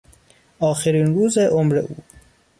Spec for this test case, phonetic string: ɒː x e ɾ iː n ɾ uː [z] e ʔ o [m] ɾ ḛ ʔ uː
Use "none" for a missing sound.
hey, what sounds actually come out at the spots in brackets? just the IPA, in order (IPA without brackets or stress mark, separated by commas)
z, m